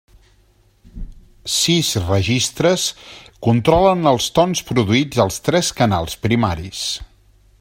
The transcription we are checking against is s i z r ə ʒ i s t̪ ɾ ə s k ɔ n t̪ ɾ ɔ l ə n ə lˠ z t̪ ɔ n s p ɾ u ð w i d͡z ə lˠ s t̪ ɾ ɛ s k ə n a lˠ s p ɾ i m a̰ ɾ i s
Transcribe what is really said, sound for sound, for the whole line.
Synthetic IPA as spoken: s i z r ə ʒ i s t̪ ɾ ə s k u n t̪ ɾ ɔ l ə n ə lˠ s t̪ ɔ n s p ɾ u ð u i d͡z ə lˠ s t̪ ɾ ɛ s k ə n a lˠ s p ɾ i m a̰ ɾ i s